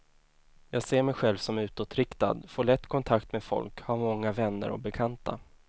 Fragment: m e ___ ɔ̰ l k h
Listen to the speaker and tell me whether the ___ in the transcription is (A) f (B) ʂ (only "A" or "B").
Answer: A